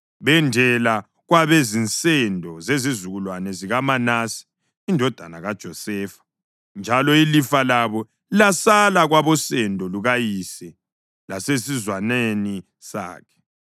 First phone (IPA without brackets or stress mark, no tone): β